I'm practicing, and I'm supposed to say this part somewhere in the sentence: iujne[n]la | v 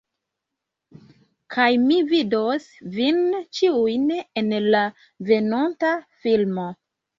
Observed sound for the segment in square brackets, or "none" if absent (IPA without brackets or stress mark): n